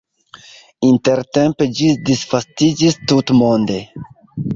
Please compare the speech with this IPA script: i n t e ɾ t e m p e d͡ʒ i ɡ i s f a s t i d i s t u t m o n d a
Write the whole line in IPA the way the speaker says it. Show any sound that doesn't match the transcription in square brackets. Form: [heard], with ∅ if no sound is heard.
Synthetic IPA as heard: i n t e ɾ t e m p e d͡ʒ i [d] i s f a s t i [d͡ʒ] i s t u t m o n d [e]